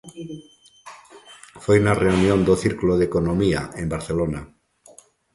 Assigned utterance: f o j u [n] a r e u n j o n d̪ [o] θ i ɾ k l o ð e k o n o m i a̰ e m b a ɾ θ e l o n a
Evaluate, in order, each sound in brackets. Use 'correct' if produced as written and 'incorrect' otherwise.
correct, correct

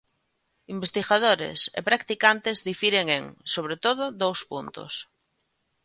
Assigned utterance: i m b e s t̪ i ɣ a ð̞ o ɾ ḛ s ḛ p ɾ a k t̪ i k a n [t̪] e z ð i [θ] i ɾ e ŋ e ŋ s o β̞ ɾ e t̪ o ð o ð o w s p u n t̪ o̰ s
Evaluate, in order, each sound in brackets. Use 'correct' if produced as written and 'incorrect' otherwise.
correct, incorrect

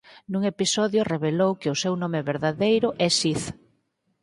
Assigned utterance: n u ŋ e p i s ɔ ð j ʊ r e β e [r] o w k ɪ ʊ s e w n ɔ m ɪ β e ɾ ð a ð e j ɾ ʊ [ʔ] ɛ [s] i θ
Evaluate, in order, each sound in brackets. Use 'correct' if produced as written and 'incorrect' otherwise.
incorrect, correct, correct

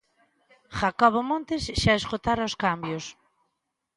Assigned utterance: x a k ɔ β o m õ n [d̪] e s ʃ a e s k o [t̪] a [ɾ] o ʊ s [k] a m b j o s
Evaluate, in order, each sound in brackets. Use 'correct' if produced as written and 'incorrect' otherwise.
incorrect, correct, correct, correct

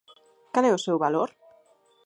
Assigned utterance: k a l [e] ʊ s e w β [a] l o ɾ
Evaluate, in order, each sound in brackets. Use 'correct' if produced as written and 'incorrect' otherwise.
incorrect, correct

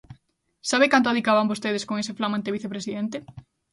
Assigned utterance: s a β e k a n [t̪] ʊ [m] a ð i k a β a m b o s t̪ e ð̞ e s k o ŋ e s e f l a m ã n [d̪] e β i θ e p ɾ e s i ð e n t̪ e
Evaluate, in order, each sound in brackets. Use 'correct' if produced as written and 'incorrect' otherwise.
correct, incorrect, incorrect

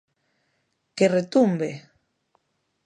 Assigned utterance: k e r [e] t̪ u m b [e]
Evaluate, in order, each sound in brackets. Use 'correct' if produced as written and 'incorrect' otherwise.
correct, correct

